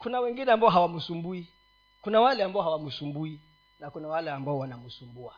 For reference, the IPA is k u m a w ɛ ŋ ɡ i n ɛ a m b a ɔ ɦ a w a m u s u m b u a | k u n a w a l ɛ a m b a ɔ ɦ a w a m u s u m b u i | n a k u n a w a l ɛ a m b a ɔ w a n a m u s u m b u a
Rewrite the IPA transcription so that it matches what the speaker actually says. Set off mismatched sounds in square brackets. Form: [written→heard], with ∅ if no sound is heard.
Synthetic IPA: k u [m→n] a w ɛ ŋ ɡ i n ɛ a m b a ɔ ɦ a w a m u s u m b u [a→i] | k u n a w a l ɛ a m b a ɔ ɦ a w a m u s u m b u i | n a k u n a w a l ɛ a m b a ɔ w a n a m u s u m b u a